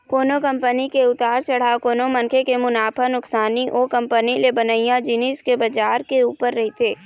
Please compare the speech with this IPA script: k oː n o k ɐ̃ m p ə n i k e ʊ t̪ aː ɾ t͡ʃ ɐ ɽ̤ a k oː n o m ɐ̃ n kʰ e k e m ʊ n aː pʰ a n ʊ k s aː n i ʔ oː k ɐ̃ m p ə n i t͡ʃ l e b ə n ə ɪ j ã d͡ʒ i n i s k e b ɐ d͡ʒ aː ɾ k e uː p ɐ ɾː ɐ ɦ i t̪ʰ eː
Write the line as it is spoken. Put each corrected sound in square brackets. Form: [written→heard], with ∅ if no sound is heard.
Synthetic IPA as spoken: k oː n o k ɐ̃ m p ə n i k e ʊ t̪ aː ɾ t͡ʃ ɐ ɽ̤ a k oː n o m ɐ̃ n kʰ e k e m ʊ n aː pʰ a n ʊ k s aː n i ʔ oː k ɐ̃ m p ə n i [t͡ʃ→∅] l e b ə n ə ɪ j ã d͡ʒ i n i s k e b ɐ d͡ʒ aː ɾ k e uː p [ɐ→ə] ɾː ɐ ɦ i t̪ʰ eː